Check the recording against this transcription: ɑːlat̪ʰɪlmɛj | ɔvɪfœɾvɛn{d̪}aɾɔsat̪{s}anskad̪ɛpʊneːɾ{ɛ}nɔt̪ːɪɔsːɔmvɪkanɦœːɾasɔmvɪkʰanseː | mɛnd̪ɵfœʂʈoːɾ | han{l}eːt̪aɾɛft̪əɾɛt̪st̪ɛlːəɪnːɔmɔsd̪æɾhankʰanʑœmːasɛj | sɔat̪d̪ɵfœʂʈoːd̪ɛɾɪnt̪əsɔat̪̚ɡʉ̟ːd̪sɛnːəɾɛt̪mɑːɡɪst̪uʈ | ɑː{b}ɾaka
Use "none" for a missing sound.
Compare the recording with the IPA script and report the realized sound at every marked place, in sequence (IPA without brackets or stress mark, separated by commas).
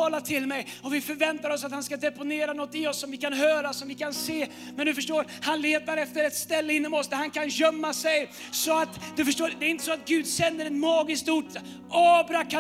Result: t̪, h, a, l, b